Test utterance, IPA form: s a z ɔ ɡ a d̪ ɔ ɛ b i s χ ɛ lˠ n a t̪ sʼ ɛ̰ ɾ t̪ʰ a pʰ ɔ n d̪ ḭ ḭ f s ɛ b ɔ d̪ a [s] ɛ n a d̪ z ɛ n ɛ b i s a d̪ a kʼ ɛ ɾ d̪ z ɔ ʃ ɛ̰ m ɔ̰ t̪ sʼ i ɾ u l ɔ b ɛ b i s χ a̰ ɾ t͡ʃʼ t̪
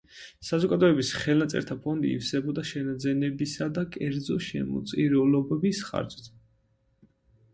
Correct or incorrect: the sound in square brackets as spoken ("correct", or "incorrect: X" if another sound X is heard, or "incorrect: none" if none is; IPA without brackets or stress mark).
incorrect: ʃ